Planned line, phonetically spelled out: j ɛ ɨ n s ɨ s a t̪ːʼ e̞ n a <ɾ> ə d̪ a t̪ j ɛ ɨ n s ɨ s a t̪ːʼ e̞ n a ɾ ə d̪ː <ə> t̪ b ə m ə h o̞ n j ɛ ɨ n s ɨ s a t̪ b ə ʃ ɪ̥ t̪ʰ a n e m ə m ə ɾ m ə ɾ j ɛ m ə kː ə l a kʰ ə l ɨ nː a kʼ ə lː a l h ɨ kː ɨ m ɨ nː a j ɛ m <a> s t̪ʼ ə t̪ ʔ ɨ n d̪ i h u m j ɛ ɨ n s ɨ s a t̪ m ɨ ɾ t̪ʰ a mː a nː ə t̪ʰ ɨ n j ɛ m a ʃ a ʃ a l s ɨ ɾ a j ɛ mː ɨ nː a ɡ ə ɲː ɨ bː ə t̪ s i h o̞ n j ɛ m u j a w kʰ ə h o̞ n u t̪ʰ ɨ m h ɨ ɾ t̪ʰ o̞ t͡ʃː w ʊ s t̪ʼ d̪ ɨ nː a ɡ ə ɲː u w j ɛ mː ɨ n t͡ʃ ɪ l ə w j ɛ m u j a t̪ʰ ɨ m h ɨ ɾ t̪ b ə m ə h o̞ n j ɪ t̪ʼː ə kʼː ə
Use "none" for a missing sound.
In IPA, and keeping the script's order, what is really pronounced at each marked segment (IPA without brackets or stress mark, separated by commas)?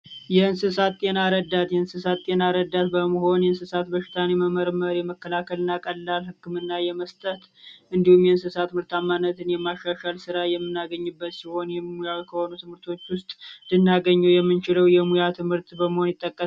ɾ, a, ə